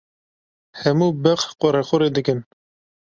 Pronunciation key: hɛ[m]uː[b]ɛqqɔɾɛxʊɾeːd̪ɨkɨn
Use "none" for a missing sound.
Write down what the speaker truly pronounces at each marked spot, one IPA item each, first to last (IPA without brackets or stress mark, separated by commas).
m, b